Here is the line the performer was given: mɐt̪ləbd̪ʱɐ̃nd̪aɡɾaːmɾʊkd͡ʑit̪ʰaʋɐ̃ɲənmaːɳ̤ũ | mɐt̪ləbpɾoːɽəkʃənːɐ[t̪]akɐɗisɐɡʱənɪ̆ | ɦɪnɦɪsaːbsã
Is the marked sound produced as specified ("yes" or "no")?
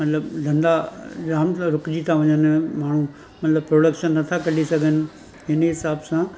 no